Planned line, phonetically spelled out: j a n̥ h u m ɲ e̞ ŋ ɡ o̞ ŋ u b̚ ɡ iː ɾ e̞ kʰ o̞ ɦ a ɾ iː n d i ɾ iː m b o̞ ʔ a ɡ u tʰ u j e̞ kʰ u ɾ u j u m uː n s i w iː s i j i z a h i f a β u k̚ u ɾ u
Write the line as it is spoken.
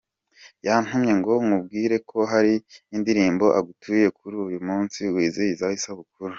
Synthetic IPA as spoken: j a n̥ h u m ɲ e̞ ŋ ɡ o̞ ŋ u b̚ ɡ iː ɾ e̞ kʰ o̞ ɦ a ɾ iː n d i ɾ iː m b o̞ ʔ a ɡ u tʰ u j e̞ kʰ u ɾ u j u m uː n s i w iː z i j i z a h i s a β u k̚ u ɾ u